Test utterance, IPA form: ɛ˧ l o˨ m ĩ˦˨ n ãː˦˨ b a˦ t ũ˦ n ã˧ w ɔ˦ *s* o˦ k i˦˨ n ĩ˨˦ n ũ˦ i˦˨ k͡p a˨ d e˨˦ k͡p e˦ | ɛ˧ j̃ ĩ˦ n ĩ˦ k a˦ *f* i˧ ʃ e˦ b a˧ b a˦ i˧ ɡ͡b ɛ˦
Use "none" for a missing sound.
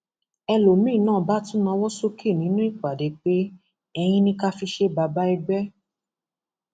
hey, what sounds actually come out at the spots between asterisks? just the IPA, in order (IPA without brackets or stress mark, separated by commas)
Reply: s, f